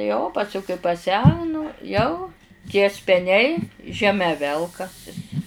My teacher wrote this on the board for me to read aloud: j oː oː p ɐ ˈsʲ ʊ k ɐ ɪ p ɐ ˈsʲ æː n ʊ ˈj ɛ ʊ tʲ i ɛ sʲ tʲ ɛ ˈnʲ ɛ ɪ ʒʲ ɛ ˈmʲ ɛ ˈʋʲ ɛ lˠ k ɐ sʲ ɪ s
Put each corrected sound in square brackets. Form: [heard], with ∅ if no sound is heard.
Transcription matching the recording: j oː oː p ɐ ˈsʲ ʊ k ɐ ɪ p ɐ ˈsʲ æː n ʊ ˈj ɛ ʊ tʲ i ɛ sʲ [pʲ] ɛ ˈnʲ ɛ ɪ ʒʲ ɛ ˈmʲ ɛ ˈʋʲ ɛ lˠ k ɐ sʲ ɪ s